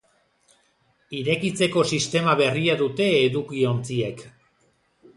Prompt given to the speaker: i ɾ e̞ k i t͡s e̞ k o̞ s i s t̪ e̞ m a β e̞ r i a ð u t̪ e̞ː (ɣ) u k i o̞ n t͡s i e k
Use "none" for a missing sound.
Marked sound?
ð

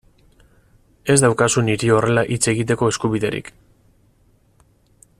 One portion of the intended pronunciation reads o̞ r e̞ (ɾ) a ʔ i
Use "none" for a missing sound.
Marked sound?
l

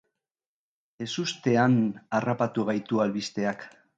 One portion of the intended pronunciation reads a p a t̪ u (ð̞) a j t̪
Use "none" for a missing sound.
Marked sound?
ɣ̞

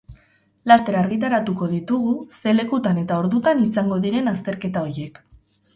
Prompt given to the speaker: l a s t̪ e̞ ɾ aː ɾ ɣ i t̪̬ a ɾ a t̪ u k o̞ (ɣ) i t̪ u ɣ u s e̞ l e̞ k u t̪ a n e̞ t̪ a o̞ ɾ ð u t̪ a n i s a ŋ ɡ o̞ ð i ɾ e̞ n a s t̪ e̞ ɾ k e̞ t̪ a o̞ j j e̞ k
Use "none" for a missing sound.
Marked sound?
ð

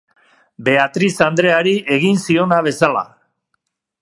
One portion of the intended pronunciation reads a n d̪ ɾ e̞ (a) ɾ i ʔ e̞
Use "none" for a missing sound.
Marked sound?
a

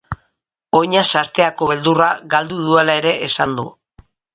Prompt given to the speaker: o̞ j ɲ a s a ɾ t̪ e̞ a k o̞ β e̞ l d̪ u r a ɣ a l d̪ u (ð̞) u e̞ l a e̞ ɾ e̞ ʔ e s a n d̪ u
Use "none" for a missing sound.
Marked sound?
ð̞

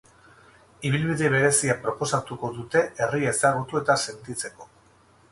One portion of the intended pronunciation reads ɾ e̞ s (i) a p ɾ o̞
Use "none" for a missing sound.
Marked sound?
i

